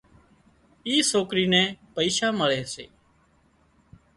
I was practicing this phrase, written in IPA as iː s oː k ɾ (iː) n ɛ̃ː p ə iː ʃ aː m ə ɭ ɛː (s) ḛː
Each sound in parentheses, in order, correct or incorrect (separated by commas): correct, correct